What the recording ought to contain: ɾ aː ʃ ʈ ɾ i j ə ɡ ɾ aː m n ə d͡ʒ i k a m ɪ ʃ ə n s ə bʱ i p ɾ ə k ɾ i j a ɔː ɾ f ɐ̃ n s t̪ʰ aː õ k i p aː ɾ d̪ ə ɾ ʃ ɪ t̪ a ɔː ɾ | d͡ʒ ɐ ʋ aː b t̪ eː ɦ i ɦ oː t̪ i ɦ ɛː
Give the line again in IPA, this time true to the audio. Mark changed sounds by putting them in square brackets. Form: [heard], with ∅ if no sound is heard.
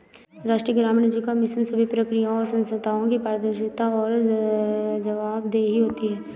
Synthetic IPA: ɾ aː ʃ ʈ ɾ i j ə ɡ ɾ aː m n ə d͡ʒ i k a m ɪ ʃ ə n s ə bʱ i p ɾ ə k ɾ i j a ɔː ɾ [s] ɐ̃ n s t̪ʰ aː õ k i p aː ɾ d̪ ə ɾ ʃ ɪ t̪ a ɔː ɾ | d͡ʒ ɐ ʋ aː b [d̪] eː ɦ i ɦ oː t̪ i ɦ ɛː